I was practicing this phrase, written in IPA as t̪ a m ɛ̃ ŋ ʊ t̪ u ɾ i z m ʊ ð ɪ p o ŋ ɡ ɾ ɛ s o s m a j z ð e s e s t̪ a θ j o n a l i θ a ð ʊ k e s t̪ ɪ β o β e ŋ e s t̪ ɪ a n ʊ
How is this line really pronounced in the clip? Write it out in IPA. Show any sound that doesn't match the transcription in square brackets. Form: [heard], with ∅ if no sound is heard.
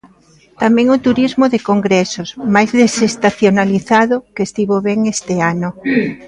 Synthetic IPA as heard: t̪ a m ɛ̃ ŋ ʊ t̪ u ɾ i z m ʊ ð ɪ [k] o ŋ ɡ ɾ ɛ s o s m a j z ð e s e s t̪ a θ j o n a l i θ a ð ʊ k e s t̪ [i] β o β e ŋ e s t̪ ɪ a n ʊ